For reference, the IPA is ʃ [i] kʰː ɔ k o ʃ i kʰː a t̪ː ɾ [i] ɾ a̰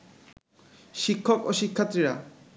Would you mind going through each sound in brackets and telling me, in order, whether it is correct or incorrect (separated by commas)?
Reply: correct, correct